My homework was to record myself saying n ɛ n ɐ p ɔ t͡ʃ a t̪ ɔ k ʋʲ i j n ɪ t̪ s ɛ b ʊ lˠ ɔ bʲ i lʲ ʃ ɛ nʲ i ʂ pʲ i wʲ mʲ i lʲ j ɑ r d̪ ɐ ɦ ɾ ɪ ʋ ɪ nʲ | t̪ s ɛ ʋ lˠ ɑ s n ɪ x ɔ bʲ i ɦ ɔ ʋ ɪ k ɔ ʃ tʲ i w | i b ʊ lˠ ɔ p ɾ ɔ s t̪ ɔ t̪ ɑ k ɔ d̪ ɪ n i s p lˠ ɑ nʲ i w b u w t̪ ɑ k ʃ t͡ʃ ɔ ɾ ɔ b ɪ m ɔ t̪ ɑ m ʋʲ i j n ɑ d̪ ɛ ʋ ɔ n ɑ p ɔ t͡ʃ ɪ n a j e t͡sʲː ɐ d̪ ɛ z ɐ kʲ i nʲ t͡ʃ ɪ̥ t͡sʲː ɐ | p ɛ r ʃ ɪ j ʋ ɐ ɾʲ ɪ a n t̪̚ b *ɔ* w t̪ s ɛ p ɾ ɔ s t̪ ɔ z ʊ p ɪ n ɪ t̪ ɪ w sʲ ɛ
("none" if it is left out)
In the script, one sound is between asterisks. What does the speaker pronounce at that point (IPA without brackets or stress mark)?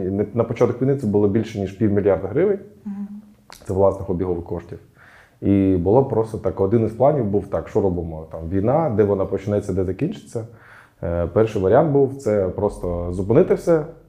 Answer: u